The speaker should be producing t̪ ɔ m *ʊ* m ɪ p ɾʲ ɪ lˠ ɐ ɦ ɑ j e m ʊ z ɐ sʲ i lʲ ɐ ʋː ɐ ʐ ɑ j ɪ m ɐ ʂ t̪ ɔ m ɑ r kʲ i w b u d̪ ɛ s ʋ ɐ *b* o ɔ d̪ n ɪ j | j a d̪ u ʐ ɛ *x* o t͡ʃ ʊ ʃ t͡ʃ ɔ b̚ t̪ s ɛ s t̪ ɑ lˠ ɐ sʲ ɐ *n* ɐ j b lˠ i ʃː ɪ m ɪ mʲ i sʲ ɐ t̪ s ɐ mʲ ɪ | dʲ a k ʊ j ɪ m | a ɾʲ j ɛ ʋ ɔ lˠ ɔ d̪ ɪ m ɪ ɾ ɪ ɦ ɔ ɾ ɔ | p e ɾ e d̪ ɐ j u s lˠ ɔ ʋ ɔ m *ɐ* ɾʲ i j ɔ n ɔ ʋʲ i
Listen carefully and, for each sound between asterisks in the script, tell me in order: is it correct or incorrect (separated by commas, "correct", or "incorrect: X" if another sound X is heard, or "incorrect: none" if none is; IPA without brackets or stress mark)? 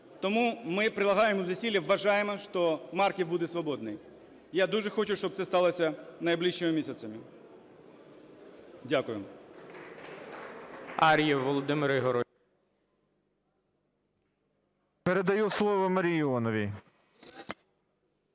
incorrect: u, correct, correct, correct, correct